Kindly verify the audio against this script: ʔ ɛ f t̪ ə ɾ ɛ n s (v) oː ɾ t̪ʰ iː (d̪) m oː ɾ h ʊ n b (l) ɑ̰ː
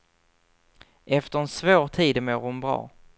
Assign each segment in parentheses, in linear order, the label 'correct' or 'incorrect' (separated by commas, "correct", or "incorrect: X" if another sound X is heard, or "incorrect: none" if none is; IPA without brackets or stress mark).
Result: correct, correct, incorrect: ɾ